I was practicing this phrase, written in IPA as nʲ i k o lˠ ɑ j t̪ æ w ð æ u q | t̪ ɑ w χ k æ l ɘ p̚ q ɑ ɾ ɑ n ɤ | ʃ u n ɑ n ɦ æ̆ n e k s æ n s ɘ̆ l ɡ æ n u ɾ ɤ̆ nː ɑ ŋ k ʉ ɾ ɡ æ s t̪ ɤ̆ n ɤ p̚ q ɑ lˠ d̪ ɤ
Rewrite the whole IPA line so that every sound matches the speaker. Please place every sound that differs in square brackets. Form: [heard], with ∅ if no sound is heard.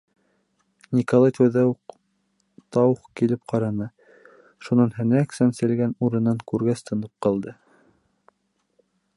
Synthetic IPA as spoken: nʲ i k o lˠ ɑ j t̪ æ w ð æ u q | t̪ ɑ w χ k [i] l ɘ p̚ q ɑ ɾ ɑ n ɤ | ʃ u n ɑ n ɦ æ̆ n [æ] k s æ n s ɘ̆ l ɡ æ n u ɾ ɤ̆ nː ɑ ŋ k ʉ ɾ ɡ æ s t̪ ɤ̆ n ɤ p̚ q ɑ lˠ d̪ ɤ